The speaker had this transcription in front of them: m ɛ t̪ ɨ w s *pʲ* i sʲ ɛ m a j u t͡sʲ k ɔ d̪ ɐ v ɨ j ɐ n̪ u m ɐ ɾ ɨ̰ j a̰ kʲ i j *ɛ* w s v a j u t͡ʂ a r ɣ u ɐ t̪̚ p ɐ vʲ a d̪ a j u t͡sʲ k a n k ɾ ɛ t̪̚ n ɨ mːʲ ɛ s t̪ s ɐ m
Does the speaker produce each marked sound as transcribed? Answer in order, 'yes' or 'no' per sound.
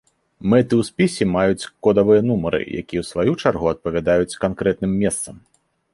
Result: yes, yes

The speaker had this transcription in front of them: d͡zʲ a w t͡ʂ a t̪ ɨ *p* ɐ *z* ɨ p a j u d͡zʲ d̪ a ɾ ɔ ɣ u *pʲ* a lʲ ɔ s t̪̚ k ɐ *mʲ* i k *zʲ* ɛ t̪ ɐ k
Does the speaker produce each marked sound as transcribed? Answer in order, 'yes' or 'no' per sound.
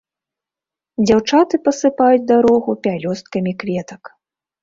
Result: yes, no, yes, yes, no

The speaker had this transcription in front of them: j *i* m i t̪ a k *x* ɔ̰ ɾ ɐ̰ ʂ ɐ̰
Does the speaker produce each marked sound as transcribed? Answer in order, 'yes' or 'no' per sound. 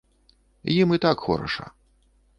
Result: yes, yes

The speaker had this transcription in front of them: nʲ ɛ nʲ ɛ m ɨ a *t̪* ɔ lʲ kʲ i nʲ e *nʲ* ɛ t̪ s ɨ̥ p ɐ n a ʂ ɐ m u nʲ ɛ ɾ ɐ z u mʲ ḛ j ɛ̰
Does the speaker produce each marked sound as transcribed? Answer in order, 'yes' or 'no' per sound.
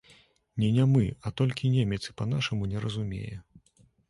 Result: yes, no

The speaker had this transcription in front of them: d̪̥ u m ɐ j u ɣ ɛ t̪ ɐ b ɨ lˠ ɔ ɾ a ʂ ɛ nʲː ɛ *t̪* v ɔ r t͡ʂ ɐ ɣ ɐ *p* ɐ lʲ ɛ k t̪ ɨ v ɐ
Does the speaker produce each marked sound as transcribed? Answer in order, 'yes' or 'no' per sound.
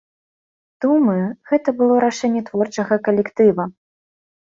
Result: yes, no

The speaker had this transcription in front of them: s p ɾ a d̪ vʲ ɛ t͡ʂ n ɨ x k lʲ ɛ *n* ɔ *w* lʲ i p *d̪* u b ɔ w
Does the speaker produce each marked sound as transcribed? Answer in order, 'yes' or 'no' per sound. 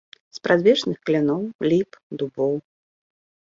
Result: yes, yes, yes

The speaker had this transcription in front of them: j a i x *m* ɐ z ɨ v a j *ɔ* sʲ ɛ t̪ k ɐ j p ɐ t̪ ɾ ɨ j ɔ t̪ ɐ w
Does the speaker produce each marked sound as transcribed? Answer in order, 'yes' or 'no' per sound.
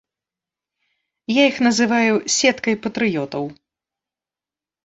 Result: no, no

